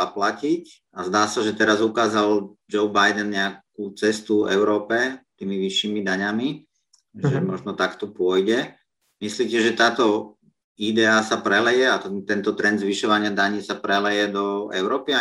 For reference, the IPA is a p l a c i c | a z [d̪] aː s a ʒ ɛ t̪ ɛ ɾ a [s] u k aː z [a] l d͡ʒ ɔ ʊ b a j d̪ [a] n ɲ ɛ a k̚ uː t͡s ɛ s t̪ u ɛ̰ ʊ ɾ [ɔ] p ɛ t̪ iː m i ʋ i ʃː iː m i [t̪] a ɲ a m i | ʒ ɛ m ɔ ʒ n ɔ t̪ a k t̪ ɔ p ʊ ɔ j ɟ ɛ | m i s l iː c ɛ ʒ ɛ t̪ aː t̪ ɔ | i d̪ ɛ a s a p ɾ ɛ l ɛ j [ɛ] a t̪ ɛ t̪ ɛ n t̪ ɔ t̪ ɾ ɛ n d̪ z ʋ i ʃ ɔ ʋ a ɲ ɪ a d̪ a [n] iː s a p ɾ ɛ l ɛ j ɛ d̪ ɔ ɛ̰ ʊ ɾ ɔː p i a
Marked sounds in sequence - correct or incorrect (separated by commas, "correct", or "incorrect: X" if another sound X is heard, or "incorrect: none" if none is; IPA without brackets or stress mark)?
correct, incorrect: z, correct, incorrect: ɛ, incorrect: ɔː, incorrect: d̪, correct, incorrect: ɲ